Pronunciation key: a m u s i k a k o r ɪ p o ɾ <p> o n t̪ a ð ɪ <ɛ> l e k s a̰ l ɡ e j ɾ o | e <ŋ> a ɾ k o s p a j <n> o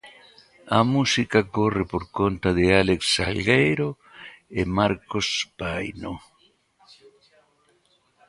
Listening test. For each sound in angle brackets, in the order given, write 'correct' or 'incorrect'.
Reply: incorrect: k, incorrect: a, incorrect: m, correct

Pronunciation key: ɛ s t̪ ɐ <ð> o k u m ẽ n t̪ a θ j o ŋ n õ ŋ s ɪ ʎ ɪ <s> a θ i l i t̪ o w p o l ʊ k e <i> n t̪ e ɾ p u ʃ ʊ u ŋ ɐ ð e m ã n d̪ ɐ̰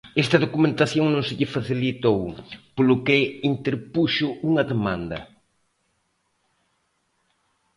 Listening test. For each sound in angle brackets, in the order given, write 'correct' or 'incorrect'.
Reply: correct, incorrect: f, correct

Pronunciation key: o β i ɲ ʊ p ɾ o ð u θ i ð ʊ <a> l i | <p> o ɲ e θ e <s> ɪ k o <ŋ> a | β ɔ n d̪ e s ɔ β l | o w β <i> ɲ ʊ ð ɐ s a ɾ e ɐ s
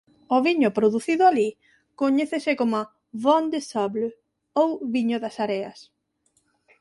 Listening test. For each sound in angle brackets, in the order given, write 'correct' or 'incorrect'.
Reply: correct, incorrect: k, correct, incorrect: m, correct

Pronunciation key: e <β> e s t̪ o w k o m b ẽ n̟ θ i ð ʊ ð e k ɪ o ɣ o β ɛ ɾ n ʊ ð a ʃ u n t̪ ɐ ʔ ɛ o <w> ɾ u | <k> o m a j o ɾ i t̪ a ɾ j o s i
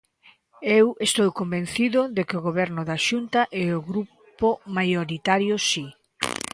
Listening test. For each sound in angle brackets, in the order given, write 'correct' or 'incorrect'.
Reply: incorrect: w, incorrect: ɣ, incorrect: p

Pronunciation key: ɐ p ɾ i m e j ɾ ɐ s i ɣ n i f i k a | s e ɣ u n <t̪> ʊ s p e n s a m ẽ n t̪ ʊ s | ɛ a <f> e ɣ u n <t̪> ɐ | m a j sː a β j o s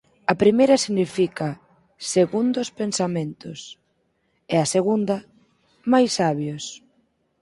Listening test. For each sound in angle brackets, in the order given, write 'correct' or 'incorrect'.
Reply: incorrect: d̪, incorrect: s, incorrect: d̪

